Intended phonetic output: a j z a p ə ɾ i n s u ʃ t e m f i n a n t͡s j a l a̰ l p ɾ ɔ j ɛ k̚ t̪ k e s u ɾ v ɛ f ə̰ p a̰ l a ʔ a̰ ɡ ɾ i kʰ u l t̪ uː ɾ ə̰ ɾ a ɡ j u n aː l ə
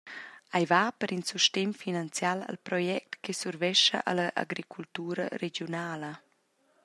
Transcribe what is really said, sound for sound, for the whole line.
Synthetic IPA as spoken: a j v a p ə ɾ i n s u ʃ t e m f i n a n t͡s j a l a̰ l p ɾ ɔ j ɛ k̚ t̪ k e s u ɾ v ɛ ʃ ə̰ ʔ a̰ l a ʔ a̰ ɡ ɾ i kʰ u l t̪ uː ɾ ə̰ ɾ e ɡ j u n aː l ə